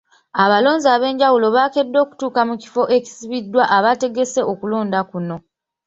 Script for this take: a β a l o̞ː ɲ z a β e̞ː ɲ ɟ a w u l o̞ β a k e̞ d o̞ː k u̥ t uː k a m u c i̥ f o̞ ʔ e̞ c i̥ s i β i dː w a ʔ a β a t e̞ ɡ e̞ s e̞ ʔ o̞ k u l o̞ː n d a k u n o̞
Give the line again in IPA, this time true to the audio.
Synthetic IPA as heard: a β a l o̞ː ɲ z a β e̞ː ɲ ɟ a w u l o̞ β a k e̞ dː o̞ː k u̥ t uː k a m u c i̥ f o̞ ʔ e̞ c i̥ s i β i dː w a ʔ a β a t e̞ ɡ e̞ s e̞ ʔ o̞ k u l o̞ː n d a k u n o̞